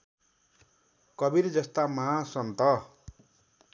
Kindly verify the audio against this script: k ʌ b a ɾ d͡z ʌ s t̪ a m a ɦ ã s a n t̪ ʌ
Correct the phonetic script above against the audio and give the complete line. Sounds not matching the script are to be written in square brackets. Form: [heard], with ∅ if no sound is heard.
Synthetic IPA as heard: k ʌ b [i] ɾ d͡z ʌ s t̪ a m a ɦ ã s [ʌ] n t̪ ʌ